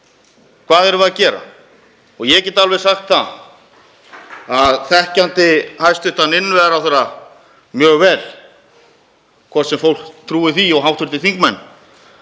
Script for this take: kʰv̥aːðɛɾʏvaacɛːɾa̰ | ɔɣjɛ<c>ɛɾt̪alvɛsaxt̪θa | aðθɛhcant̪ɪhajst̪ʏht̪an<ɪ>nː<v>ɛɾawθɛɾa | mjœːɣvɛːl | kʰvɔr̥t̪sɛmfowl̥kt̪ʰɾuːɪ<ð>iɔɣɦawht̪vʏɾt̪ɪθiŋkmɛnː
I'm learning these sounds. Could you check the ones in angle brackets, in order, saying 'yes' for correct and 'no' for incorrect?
yes, yes, yes, no

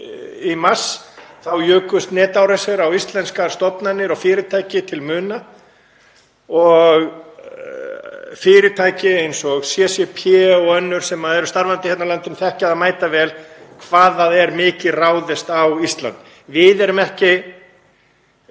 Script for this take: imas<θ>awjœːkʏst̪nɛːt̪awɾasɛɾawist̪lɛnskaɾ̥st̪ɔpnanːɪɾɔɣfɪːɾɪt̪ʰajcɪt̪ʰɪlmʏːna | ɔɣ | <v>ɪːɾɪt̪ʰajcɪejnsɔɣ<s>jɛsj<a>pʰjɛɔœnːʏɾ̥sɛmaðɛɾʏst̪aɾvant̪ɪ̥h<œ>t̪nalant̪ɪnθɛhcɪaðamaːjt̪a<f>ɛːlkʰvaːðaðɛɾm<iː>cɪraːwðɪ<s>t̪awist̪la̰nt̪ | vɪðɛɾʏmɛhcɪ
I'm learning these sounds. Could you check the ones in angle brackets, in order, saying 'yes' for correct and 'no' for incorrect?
yes, no, yes, no, no, no, no, yes

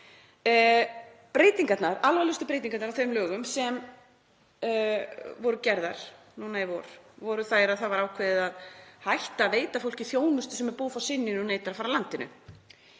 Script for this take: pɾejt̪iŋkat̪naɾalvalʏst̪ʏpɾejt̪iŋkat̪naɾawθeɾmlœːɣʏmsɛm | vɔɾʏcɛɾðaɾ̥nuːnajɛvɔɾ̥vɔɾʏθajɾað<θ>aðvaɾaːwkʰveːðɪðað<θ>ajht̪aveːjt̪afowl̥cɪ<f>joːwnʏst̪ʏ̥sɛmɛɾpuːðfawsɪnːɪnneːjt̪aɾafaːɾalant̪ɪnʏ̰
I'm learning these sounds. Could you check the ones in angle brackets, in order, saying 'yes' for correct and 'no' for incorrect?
yes, no, no

